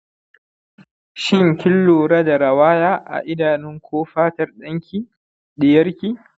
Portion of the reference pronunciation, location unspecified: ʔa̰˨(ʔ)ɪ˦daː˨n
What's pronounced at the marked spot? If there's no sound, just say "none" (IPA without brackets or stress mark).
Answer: ʔ